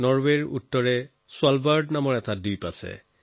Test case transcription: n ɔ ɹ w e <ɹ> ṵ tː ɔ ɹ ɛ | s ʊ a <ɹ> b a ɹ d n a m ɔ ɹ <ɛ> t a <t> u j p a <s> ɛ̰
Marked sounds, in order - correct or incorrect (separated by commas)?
correct, incorrect, correct, incorrect, correct